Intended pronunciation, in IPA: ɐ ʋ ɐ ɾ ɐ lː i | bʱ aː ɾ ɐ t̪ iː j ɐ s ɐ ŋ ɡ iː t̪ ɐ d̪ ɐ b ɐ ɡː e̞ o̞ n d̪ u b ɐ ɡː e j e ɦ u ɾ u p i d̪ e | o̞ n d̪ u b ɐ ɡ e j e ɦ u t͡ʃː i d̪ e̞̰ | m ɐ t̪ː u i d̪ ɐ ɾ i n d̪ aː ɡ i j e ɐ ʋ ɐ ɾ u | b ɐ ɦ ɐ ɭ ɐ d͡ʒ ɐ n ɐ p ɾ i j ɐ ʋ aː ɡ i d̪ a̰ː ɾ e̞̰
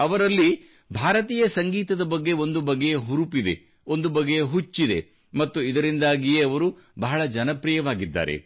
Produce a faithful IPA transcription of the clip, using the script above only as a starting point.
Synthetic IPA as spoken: ɐ ʋ ɐ ɾ ɐ lː i | bʱ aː ɾ ɐ t̪ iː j ɐ s ɐ ŋ ɡ iː t̪ ɐ d̪ ɐ b ɐ ɡː e̞ o̞ n d̪ u b ɐ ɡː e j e ɦ u ɾ u p i d̪ e | o̞ n d̪ u b ɐ ɡ e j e ɦ u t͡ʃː i d̪ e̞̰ | m ɐ t̪ː u i d̪ ɐ ɾ i n d̪ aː ɡ i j e ɐ ʋ ɐ ɾ u | b ɐ ɦ ɐ ɭ ɐ d͡ʒ ɐ n ɐ p ɾ i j ɐ ʋ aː ɡ i d̪ː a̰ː ɾ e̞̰